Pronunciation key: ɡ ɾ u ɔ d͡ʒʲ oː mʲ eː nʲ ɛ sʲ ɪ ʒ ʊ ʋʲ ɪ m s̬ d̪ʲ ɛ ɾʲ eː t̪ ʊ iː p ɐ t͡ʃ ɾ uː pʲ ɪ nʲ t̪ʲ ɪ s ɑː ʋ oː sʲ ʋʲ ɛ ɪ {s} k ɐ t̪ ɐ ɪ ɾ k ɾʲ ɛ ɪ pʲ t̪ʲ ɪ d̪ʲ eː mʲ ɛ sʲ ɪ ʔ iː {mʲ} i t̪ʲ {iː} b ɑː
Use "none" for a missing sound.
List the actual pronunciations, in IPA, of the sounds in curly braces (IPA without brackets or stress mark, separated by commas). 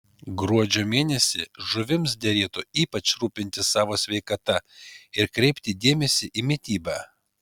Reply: none, mʲ, iː